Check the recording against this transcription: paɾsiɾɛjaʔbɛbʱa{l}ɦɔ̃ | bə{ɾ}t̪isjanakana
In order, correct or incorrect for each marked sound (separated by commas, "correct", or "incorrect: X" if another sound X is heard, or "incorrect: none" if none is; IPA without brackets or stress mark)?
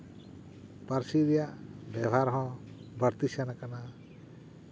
incorrect: ɾ, correct